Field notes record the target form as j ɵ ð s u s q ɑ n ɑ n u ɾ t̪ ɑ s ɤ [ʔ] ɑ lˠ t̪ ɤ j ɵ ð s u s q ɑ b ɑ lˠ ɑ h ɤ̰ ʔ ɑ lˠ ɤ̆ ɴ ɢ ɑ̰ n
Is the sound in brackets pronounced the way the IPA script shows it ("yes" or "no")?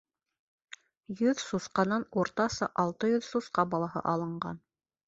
yes